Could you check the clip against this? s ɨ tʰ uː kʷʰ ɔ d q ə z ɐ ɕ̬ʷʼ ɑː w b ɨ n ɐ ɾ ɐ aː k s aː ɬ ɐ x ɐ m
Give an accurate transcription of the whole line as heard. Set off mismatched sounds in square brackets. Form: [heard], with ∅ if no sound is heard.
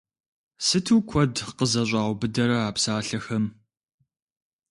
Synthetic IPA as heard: s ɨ tʰ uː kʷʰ ɔ d q ə z ɐ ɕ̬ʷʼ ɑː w b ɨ [d] ɐ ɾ ɐ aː [p] s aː ɬ ɐ x ɐ m